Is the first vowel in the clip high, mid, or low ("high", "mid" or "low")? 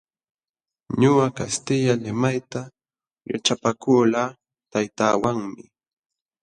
high